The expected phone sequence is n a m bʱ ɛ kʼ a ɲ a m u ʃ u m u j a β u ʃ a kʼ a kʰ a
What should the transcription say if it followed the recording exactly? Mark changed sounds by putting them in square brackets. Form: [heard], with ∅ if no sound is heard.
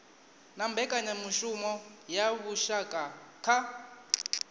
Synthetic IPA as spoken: n a m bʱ ɛ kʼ a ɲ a m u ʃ u m [ɔ] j a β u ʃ a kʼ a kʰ a

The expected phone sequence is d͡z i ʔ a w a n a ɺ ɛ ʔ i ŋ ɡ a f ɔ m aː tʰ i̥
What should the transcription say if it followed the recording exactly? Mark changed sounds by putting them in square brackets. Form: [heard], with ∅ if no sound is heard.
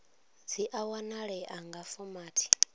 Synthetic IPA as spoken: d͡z i ʔ a w a n a ɺ ɛ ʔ [a] ŋ ɡ a f ɔ m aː tʰ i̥

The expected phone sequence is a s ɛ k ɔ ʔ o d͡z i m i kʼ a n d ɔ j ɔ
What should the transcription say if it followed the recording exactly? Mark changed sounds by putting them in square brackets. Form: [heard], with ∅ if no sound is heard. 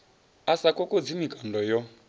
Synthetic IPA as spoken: a s [a] k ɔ [k] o d͡z i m i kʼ a n d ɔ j ɔ

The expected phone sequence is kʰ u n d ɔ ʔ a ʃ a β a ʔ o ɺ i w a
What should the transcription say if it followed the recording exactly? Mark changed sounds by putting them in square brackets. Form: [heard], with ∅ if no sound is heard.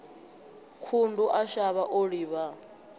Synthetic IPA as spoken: kʰ u n d [u] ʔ a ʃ a β a ʔ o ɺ i [β] a

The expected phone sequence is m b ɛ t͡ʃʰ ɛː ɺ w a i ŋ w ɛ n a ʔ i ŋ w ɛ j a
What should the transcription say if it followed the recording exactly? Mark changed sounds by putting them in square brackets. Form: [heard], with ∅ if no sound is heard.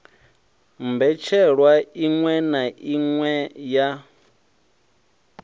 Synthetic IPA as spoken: m b ɛ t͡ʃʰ [ɛ] ɺ w a i ŋ w ɛ n a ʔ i ŋ w ɛ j a

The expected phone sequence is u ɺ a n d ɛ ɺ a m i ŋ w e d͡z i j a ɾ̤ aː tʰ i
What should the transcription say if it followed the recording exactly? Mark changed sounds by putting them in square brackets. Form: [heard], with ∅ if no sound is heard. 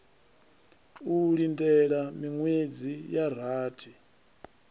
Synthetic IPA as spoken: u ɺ [i] n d ɛ ɺ a m i ŋ w e d͡z i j a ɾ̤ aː tʰ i

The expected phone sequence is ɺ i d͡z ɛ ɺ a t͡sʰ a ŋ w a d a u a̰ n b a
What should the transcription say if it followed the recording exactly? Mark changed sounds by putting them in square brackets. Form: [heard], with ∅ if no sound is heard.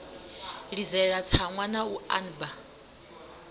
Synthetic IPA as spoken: ɺ i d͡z ɛ ɺ a t͡sʰ a ŋ w a [n] a u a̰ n b a

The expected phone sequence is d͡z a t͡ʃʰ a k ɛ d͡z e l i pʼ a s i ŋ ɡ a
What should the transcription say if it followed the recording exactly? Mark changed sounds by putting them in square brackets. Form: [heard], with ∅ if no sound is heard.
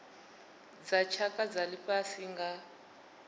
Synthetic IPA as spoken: d͡z a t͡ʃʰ a k [a] d͡z [a] l i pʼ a s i ŋ ɡ a

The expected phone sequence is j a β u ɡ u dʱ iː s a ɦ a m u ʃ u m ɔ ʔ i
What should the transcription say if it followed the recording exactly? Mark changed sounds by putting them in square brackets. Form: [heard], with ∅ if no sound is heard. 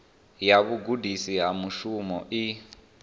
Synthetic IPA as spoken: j a β u ɡ u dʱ [i] s [i] ɦ a m u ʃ u m ɔ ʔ i

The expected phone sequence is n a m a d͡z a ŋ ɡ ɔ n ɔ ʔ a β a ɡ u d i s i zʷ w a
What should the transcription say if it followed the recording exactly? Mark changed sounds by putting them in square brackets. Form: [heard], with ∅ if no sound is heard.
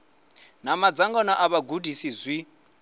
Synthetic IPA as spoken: n a m a d͡z a ŋ ɡ ɔ n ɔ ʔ a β a ɡ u d i s i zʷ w [i]

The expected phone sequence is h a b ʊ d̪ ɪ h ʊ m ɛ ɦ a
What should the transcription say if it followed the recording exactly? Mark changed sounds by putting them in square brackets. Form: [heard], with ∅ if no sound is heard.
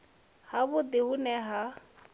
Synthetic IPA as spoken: h a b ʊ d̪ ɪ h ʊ [n] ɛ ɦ a

